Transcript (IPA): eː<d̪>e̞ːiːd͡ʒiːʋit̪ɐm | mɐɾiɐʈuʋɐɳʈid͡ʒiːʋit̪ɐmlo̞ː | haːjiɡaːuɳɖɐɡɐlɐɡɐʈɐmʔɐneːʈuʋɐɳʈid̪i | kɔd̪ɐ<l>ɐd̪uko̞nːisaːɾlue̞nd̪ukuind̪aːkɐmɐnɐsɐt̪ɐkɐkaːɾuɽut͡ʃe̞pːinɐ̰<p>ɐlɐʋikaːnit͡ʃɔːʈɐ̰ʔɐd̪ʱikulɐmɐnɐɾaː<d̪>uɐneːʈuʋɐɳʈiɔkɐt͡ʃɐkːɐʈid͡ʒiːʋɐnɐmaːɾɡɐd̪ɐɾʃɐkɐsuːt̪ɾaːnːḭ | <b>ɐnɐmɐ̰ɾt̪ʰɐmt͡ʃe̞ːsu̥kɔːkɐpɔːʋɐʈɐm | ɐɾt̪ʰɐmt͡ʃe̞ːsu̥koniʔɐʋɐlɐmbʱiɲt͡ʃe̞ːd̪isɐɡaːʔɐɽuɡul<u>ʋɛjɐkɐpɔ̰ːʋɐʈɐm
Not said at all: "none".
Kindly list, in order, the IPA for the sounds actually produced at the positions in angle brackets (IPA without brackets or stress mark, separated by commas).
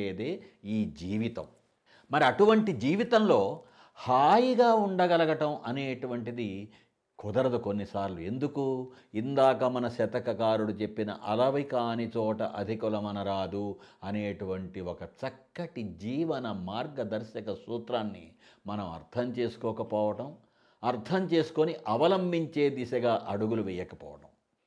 d̪, ɾ, ʔ, d̪, m, u